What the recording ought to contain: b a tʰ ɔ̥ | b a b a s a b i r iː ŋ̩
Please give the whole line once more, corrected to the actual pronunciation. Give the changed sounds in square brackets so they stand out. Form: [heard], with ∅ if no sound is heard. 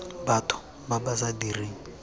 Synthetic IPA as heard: b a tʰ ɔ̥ | b a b a s a [d] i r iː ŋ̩